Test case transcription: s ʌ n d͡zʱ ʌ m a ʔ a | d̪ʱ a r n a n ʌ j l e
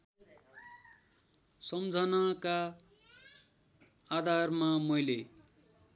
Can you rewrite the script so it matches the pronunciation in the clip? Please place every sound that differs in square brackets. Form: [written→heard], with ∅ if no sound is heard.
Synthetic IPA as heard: s ʌ [n→m] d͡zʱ ʌ [m→n] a [ʔ→k] a | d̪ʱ a r [n→m] a [n→m] ʌ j l e